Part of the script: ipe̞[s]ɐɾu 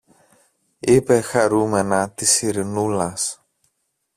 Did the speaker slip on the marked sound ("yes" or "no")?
yes